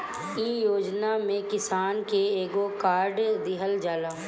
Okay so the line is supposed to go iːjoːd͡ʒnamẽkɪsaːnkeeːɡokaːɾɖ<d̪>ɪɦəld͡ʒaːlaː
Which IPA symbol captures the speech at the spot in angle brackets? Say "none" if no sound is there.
d̪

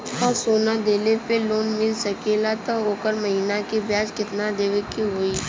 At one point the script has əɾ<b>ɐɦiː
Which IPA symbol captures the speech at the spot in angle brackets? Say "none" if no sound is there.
m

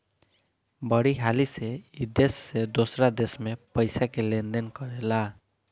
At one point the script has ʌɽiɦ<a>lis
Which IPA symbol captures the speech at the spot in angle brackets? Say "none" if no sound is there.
a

